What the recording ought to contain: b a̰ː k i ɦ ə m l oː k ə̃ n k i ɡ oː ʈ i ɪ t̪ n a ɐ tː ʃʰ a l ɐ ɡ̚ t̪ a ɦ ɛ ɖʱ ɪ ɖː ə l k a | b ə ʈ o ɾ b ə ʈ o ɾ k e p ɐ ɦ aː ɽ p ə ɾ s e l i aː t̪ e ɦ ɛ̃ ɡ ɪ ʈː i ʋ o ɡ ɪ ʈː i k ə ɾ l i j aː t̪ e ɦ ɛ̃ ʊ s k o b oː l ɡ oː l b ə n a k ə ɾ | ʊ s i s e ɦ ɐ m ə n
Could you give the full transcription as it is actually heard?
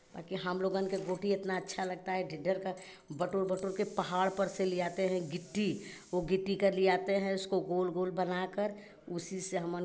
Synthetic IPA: b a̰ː k i ɦ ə m l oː ɡ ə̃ n k e ɡ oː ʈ i ɪ t̪ n a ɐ tː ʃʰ a l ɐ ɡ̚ t̪ a ɦ ɛ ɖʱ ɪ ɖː ə ɾ k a | b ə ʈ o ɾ b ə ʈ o ɾ k e p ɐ ɦ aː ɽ p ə ɾ s e l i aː t̪ e ɦ ɛ̃ ɡ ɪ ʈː i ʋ o ɡ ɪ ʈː i k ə ɾ l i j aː t̪ e ɦ ɛ̃ ʊ s k o ɡ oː l ɡ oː l b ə n a k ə ɾ | ʊ s i s e ɦ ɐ m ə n